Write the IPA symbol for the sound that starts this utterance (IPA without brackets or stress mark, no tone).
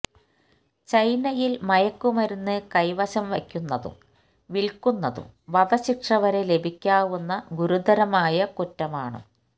t͡ɕ